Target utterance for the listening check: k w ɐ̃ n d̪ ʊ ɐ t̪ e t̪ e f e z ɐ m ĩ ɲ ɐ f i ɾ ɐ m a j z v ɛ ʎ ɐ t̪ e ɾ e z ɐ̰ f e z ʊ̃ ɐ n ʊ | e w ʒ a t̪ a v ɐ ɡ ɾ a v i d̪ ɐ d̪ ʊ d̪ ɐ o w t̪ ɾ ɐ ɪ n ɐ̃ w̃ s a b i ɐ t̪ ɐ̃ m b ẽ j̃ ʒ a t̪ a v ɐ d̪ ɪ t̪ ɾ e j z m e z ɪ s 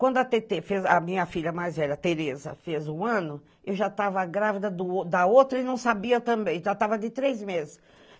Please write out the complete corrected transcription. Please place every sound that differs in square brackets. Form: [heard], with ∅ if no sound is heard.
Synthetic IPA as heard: k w ɐ̃ n d̪ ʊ ɐ t̪ e t̪ e f e z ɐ m ĩ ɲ ɐ f i [ʎ] ɐ m a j z v ɛ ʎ ɐ t̪ e ɾ e z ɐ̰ f e z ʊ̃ [ɐ̃] n ʊ | e w ʒ a t̪ a v ɐ ɡ ɾ a v i d̪ ɐ d̪ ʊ d̪ ɐ o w t̪ ɾ ɐ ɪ n ɐ̃ w̃ s a b i ɐ t̪ ɐ̃ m b ẽ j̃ ʒ a t̪ a v ɐ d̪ ɪ t̪ ɾ e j z m e z ɪ s